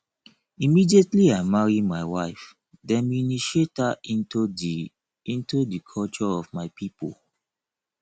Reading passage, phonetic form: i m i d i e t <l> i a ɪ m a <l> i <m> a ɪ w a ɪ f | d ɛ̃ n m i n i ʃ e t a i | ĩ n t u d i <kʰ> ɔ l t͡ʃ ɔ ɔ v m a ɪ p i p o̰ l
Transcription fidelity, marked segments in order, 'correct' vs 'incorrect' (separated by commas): correct, incorrect, correct, correct